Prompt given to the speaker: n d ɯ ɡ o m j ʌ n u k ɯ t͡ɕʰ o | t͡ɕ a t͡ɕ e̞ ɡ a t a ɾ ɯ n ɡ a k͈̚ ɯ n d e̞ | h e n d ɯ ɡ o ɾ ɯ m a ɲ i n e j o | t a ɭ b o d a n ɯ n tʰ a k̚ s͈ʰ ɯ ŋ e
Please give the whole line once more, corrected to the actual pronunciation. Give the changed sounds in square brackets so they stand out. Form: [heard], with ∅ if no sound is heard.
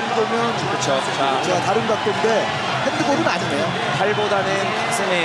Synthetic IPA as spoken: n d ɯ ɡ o m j ʌ n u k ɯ t͡ɕʰ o | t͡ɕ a t͡ɕ e̞ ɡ a t a ɾ ɯ n ɡ a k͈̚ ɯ n d e̞ | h e n d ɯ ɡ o ɾ ɯ [n] a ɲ i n e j o | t a ɭ b o d a n ɯ n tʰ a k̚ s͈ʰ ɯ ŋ e

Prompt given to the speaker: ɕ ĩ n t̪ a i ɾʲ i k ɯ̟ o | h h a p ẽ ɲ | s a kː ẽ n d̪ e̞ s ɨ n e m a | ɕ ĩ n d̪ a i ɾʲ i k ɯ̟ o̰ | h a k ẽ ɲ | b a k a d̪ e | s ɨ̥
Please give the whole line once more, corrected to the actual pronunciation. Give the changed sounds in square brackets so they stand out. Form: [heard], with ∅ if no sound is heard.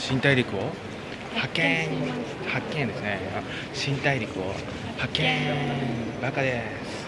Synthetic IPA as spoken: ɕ ĩ n t̪ a i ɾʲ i k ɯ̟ o | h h a [k] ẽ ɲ | [h] a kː ẽ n d̪ e̞ s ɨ n e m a | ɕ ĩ n [t̪] a i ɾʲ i k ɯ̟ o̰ | h a k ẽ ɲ | b a k a d̪ e | s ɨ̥

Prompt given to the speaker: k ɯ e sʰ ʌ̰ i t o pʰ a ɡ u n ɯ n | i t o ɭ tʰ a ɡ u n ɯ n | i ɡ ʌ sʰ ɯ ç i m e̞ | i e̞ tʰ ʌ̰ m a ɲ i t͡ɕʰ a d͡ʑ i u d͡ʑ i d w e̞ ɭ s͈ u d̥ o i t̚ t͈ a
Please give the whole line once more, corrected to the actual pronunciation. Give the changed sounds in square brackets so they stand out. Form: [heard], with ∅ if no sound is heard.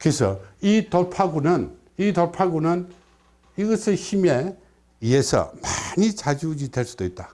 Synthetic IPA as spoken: k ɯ e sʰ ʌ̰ i t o pʰ a ɡ u n ɯ n | i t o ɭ [pʰ] a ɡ u n ɯ n | i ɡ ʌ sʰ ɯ ç i m e̞ | i e̞ [sʰ] ʌ̰ m a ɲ i [t͡ɕ] a d͡ʑ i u d͡ʑ i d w e̞ ɭ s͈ u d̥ o i t̚ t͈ a

